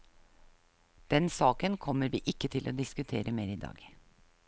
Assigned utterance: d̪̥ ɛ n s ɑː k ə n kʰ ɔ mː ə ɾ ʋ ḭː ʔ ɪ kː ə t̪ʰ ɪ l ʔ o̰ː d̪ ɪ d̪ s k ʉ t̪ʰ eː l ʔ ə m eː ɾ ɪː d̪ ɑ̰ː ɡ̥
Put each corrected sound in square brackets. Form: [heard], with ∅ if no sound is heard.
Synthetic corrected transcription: d̪̥ ɛ n s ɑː k ə n kʰ ɔ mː ə ɾ ʋ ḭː ʔ ɪ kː ə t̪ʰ ɪ l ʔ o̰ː d̪ ɪ [∅] s k ʉ t̪ʰ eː [ɾ] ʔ ə m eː ɾ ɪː d̪ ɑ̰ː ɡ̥